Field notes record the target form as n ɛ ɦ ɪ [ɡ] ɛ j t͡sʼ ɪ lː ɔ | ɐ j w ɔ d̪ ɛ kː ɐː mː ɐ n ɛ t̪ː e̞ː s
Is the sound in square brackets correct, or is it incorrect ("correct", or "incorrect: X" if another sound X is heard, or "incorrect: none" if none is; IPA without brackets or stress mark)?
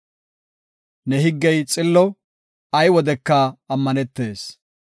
incorrect: ɡː